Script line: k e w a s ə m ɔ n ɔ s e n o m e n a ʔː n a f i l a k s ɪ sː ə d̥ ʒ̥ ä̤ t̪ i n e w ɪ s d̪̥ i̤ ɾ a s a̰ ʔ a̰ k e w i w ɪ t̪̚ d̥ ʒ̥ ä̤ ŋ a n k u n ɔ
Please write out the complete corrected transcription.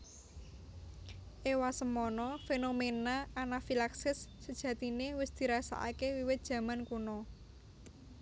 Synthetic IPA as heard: ʔ e w a s ə m ɔ n ɔ f e n o m e n a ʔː n a f i l a k s ɪ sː ə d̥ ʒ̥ ä̤ t̪ i n e w ɪ s d̪̥ i̤ ɾ a s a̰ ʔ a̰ k e w i w ɪ t̪̚ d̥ ʒ̥ ä̤ m a n k u n ɔ